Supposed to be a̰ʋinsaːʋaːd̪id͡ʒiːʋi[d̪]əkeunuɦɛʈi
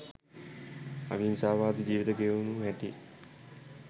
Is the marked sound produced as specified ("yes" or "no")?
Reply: no